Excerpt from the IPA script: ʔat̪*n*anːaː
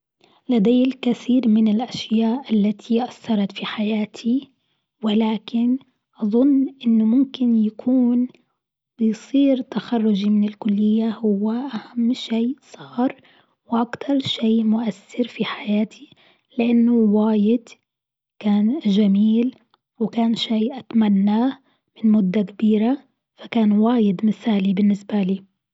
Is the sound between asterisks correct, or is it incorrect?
incorrect